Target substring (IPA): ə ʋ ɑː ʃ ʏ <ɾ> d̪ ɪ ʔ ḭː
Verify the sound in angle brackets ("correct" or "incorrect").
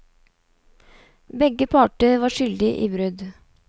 incorrect